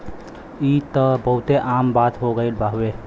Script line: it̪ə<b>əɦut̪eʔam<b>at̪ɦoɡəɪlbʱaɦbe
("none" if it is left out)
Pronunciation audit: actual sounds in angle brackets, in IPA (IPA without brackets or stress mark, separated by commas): b, b